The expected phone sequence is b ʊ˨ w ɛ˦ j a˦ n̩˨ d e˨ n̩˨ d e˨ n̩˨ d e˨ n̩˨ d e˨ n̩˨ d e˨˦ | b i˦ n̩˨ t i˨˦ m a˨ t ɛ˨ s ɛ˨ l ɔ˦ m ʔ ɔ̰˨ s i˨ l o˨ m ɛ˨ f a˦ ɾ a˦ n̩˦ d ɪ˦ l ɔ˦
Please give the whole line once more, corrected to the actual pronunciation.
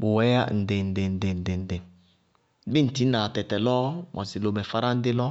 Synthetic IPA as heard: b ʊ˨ w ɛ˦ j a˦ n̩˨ d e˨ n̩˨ d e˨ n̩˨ d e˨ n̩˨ d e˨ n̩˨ d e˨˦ | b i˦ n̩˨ t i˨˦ n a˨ t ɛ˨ t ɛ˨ l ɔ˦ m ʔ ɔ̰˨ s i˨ l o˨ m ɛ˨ f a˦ ɾ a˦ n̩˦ d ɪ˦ l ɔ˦